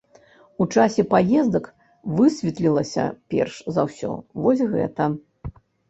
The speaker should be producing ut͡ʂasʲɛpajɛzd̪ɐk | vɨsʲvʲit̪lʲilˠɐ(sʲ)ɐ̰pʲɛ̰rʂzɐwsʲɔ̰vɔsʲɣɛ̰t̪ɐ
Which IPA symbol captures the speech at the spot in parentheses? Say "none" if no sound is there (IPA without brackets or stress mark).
sʲ